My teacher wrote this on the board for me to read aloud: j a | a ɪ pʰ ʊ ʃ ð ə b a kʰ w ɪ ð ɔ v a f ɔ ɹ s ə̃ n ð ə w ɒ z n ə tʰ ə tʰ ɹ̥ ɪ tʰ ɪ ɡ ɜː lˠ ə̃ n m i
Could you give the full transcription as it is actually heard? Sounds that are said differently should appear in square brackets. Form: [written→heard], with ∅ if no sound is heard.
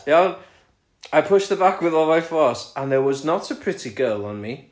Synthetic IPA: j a | a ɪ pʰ ʊ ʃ ð ə b a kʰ w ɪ ð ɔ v a f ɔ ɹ s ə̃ n ð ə w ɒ z n ə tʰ ə [tʰ→pʰ] ɹ̥ ɪ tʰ [ɪ→i] ɡ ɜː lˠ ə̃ n m i